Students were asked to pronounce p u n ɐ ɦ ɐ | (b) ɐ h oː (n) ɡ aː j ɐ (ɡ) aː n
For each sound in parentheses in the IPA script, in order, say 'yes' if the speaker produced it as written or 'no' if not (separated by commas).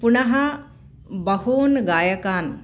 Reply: yes, yes, no